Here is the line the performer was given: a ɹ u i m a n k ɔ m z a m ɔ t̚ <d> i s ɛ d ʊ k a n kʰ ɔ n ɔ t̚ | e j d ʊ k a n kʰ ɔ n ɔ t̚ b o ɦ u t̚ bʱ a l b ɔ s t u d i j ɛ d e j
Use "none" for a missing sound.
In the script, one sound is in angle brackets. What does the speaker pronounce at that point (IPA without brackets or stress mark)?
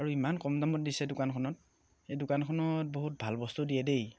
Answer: d